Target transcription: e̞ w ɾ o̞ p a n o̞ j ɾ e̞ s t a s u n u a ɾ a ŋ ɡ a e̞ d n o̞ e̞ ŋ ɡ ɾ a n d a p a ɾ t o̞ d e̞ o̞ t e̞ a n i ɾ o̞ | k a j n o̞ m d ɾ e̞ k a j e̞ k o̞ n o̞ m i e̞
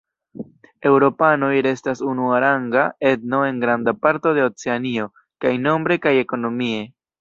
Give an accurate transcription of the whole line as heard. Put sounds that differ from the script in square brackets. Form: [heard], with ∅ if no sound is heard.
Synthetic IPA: e̞ w ɾ o̞ p a n o̞ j ɾ e̞ s t a s u n u a ɾ a ŋ ɡ a e̞ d n o̞ e̞ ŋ ɡ ɾ a n d a p a ɾ t o̞ d e̞ o̞ [t͡s] e̞ a n i [∅] o̞ | k a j n o̞ m [b] ɾ e̞ k a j e̞ k o̞ n o̞ m i e̞